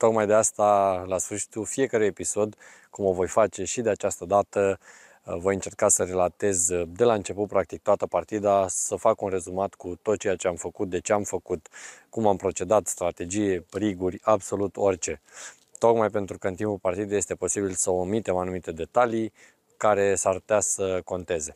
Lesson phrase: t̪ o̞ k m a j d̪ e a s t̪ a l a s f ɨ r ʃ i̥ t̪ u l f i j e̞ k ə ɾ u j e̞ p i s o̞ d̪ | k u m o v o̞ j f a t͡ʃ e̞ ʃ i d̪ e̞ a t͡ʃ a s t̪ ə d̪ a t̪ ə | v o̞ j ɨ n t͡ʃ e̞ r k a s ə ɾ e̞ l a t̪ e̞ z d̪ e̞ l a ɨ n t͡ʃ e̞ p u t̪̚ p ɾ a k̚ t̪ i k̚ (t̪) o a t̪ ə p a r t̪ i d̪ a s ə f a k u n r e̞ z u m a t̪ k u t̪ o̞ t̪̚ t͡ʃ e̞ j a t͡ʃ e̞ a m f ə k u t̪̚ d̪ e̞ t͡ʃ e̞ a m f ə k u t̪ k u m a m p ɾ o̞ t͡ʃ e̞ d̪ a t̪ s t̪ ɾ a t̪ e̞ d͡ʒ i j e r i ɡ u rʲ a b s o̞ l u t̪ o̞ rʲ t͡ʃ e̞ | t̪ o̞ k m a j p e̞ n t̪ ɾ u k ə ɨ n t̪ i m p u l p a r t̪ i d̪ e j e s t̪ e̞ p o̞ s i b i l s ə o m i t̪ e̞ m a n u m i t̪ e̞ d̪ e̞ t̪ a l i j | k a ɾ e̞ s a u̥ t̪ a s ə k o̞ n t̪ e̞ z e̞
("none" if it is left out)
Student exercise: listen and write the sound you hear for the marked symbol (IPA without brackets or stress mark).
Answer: t̪